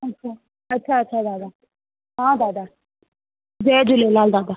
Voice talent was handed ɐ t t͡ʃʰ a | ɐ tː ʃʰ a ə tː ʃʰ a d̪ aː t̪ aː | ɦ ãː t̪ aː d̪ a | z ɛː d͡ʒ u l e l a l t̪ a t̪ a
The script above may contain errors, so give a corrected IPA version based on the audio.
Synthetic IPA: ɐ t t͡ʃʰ a | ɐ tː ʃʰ a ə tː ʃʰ a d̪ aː d̪ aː | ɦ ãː d̪ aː d̪ a | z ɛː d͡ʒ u l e l a l d̪ a d̪ a

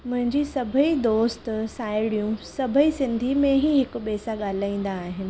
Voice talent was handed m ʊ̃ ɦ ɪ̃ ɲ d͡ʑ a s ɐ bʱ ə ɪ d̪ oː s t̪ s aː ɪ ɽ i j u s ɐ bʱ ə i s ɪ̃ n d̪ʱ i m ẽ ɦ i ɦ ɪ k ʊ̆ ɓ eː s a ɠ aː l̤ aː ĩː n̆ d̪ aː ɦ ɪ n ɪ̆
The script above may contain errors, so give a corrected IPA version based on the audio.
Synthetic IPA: m ʊ̃ ɦ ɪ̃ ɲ d͡ʑ i s ɐ bʱ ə i d̪ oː s t̪ s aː ɪ ɽ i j ũ s ɐ bʱ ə i s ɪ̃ n d̪ʱ i m ẽ ɦ i ɦ ɪ k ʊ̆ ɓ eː s a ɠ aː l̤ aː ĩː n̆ d̪ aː ɦ ɪ n ɪ̆

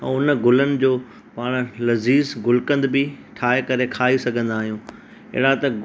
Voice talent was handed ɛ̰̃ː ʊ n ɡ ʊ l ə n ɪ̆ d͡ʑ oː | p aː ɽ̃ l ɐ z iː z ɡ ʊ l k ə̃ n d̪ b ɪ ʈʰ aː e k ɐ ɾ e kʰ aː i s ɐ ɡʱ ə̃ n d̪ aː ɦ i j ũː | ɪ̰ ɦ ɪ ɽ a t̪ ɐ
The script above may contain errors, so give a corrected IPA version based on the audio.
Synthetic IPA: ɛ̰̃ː ʊ n ɡ ʊ l ə n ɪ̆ d͡ʑ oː | p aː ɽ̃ l ɐ z iː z ɡ ʊ l k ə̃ n d̪ b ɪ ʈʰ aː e k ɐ ɾ e kʰ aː i s ɐ ɡʱ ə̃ n d̪ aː ɦ i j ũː | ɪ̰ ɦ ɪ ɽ a t̪ ɐ

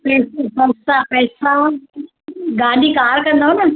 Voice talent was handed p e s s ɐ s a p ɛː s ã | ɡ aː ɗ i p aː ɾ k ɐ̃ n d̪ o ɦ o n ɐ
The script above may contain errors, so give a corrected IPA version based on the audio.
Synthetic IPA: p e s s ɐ s a p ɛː s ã | ɡ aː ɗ i k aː ɾ k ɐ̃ n d̪ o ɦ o n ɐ

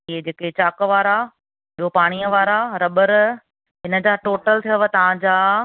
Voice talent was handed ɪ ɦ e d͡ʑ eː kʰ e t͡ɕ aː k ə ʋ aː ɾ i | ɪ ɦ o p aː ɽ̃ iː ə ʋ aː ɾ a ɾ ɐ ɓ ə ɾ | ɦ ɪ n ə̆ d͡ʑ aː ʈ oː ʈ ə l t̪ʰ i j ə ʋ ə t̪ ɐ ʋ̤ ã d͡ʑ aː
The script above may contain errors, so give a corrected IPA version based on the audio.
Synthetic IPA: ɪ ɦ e d͡ʑ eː k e t͡ɕ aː k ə ʋ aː ɾ a | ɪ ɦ o p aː ɽ̃ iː ə ʋ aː ɾ a ɾ ɐ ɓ ə ɾ | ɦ ɪ n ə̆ d͡ʑ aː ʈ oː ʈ ə l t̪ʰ i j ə ʋ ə t̪ ɐ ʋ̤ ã d͡ʑ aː

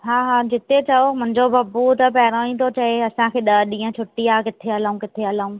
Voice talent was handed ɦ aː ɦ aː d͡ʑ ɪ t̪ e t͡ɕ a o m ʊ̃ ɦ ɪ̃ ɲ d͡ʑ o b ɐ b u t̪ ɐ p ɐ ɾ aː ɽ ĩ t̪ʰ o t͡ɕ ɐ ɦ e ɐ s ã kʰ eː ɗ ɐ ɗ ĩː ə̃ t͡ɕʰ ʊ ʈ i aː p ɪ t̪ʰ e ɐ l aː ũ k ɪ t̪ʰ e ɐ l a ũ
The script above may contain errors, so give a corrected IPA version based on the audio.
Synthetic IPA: ɦ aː ɦ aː d͡ʑ ɪ t̪ e t͡ɕ ɐ o m ʊ̃ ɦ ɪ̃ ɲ d͡ʑ o b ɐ b u t̪ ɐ p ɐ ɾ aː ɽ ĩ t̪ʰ o t͡ɕ ɐ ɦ e ɐ s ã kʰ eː ɗ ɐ ɗ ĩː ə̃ t͡ɕʰ ʊ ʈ i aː k ɪ t̪ʰ e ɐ l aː ũ k ɪ t̪ʰ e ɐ l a ũ

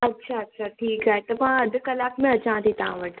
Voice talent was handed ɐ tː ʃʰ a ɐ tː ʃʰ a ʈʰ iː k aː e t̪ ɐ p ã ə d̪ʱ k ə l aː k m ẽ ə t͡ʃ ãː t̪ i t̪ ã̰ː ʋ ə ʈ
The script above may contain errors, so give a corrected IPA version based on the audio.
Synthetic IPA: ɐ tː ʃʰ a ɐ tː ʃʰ a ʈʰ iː k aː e t̪ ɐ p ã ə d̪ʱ k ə l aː k m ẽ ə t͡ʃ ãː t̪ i t̪ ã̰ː ʋ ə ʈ

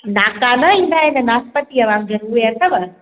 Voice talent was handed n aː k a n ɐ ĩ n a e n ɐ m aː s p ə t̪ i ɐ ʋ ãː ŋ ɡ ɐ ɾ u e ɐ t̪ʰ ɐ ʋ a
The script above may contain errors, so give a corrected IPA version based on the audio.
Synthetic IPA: n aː k a n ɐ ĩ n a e n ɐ n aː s p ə t̪ i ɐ ʋ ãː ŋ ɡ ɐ ɾ u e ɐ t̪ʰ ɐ ʋ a

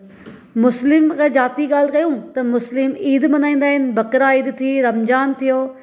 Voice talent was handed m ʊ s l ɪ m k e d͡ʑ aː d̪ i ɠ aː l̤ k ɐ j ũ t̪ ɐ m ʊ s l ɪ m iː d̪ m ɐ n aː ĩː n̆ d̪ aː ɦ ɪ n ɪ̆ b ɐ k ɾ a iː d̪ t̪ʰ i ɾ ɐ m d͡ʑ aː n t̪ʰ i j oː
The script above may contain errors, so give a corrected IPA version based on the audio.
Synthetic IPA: m ʊ s l ɪ m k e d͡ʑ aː t̪ i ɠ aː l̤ k ɐ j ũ t̪ ɐ m ʊ s l ɪ m iː d̪ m ɐ n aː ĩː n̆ d̪ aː ɦ ɪ n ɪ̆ b ɐ k ɾ a iː d̪ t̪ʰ i ɾ ɐ m d͡ʑ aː n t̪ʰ i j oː

